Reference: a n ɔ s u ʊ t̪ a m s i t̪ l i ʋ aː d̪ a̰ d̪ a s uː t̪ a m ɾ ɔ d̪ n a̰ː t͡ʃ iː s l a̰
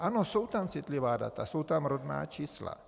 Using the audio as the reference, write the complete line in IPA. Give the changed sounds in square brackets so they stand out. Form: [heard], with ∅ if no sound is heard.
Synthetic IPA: a n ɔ s u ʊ t̪ a m [t͡s] i t̪ l i ʋ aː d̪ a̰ [t̪] a s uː t̪ a m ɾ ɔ d̪ n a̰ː t͡ʃ iː s l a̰